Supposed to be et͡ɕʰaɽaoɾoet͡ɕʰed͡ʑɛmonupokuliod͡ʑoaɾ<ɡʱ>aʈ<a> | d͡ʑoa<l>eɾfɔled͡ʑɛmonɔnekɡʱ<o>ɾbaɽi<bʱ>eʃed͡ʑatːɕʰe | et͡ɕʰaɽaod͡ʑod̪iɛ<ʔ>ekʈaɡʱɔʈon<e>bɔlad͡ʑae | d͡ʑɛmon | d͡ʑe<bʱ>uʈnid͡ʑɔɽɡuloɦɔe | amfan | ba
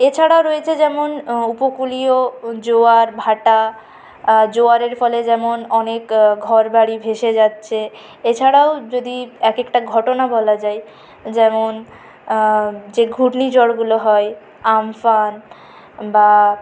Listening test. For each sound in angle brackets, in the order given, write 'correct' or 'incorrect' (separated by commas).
incorrect, correct, incorrect, incorrect, correct, incorrect, incorrect, incorrect